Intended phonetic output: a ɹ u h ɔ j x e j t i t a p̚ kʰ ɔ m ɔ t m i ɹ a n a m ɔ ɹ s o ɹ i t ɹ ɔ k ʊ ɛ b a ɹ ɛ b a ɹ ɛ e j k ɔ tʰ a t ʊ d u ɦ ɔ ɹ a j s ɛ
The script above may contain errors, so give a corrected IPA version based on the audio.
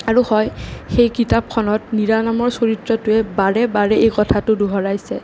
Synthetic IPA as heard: a ɹ u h ɔ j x e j k i t a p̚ kʰ ɔ n ɔ t n i ɹ a n a m ɔ ɹ s o ɹ i t ɹ ɔ t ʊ ɛ b a ɹ ɛ b a ɹ ɛ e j k ɔ tʰ a t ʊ d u ɦ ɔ ɹ a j s ɛ